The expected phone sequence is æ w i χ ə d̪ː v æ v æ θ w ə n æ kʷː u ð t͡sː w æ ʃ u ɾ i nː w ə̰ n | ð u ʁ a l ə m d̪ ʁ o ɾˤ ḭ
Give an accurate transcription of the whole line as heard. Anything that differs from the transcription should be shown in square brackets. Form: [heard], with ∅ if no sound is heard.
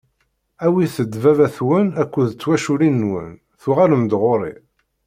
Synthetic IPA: æ w i [θ] ə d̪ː v æ v æ θ w ə n æ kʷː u ð t͡sː w æ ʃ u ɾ i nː w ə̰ n | [θ] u ʁ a l ə m d̪ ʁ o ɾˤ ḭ